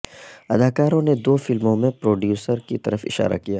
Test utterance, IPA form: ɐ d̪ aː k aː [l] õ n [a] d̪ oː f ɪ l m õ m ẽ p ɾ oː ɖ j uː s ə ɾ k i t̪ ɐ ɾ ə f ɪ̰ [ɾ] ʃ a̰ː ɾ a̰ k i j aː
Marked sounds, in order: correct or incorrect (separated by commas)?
incorrect, incorrect, incorrect